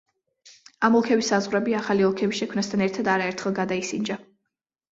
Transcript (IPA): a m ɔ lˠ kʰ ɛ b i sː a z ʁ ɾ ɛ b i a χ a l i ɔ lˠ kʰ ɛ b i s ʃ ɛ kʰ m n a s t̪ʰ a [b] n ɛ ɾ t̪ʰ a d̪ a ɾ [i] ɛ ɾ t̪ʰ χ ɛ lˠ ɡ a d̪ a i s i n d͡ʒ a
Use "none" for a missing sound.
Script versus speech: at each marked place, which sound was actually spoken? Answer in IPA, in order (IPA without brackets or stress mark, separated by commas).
none, a